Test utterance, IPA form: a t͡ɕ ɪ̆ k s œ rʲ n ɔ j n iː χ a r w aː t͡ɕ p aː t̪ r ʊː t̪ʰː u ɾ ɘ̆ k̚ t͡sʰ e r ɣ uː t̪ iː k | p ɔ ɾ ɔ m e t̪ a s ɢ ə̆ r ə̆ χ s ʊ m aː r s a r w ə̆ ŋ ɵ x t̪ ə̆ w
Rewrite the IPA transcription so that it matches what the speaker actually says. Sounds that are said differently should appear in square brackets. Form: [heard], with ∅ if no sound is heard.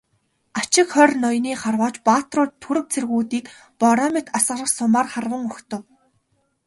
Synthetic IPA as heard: a t͡ɕ ɪ̆ k [χ] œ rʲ n ɔ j n iː χ a r w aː t͡ɕ p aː t̪ r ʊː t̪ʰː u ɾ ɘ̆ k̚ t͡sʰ e r ɣ uː t̪ iː k | p ɔ ɾ ɔ m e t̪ a s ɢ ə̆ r ə̆ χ s ʊ m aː r [χ] a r w ə̆ ŋ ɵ x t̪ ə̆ w